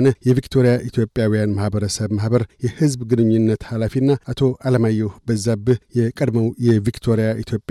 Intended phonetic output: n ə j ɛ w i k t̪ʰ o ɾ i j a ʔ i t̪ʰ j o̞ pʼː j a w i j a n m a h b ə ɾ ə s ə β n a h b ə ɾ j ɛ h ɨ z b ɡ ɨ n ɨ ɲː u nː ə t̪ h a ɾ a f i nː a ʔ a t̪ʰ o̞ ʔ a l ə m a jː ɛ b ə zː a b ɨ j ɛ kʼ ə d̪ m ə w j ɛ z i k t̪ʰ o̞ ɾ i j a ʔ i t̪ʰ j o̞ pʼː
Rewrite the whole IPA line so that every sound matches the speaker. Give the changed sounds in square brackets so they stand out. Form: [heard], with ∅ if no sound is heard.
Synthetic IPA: n ə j ɛ [v] i k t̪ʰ o ɾ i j a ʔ i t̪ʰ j o̞ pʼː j a w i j a n m a h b ə ɾ ə s ə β [m] a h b ə ɾ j ɛ h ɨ z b ɡ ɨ n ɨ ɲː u nː ə t̪ h a [l] a f i nː a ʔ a t̪ʰ o̞ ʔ a l ə m a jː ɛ b ə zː a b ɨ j ɛ kʼ ə d̪ m ə w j ɛ [v] i k t̪ʰ o̞ ɾ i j a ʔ i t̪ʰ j o̞ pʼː